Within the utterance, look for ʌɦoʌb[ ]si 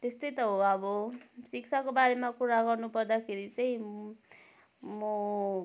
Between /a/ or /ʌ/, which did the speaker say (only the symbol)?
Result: ʌ